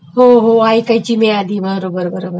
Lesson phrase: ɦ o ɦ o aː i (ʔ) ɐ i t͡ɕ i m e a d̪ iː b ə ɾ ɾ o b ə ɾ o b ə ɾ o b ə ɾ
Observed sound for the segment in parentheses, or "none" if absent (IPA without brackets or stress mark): k